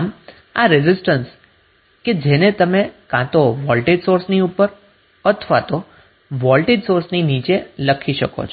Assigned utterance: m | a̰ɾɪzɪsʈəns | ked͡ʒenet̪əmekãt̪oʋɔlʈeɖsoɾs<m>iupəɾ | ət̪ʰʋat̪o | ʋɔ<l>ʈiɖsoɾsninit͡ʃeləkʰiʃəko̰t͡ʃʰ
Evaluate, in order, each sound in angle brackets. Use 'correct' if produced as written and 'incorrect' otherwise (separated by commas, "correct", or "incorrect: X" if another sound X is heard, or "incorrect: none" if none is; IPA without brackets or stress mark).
incorrect: n, correct